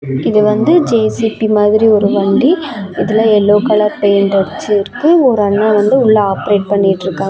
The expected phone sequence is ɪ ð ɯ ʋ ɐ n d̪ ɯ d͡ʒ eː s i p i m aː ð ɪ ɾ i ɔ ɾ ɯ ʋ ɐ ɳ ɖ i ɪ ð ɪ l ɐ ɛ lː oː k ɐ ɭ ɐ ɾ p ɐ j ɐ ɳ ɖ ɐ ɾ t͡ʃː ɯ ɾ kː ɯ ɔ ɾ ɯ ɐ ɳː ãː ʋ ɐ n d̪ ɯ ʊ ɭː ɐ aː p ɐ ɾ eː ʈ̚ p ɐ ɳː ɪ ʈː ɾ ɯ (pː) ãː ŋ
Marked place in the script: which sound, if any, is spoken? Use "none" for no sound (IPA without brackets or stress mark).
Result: kː